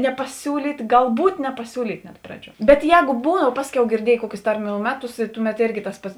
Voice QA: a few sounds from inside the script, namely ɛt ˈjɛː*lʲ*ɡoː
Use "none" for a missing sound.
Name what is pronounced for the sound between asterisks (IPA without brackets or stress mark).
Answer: none